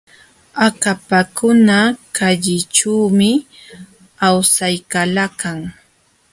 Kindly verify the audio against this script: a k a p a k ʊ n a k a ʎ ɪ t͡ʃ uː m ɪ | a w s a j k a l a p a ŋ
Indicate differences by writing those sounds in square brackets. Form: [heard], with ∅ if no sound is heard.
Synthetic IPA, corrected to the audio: a k a p a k ʊ n a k a ʎ ɪ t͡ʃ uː m ɪ | a w s a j k a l a [k] a ŋ